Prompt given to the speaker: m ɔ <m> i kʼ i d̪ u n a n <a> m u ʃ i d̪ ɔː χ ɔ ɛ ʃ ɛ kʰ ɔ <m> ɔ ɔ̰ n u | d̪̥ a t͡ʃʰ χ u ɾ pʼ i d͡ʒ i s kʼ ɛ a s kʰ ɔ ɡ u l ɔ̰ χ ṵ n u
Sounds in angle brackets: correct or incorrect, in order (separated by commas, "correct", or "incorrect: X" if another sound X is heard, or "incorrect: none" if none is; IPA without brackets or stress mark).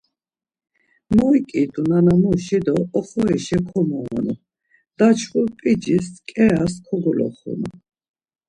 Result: incorrect: none, correct, correct